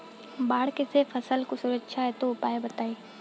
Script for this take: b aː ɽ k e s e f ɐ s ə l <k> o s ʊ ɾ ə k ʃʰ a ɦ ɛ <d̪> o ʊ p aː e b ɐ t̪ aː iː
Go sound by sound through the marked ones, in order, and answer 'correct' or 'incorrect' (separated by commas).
correct, incorrect